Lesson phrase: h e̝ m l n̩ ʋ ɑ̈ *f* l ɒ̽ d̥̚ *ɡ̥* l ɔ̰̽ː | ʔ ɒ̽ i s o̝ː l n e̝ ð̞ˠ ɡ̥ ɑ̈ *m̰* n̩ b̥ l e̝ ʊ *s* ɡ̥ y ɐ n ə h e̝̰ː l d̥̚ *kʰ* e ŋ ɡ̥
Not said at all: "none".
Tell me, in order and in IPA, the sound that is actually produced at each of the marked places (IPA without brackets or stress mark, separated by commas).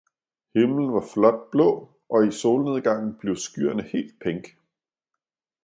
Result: f, b̥, ŋ̰, s, pʰ